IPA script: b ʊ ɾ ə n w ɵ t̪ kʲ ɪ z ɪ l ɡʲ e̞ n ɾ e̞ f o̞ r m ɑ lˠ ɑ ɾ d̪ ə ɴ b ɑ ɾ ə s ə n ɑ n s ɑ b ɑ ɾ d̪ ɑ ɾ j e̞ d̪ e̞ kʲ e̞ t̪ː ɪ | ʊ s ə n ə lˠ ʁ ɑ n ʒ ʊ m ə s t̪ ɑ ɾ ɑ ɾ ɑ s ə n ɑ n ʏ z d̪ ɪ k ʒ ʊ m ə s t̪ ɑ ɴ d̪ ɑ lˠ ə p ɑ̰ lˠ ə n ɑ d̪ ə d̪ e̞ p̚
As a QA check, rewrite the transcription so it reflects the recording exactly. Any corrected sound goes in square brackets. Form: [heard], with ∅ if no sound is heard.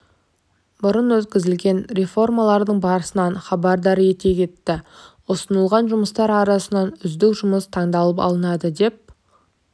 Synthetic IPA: b ʊ ɾ ə n w ɵ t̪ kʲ ɪ z ɪ l ɡʲ e̞ n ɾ e̞ f o̞ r m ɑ lˠ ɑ ɾ d̪ ə ɴ b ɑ ɾ ə s ə n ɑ n [χ] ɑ b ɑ ɾ d̪ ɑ ɾ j e̞ [t̪] e̞ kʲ e̞ t̪ː ɪ | ʊ s ə n ə lˠ ʁ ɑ n ʒ ʊ m ə s t̪ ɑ ɾ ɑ ɾ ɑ s ə n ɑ n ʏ z d̪ ɪ k ʒ ʊ m ə s [t̪ʰ] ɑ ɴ d̪ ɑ lˠ ə p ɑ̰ lˠ ə n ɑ d̪ ə d̪ e̞ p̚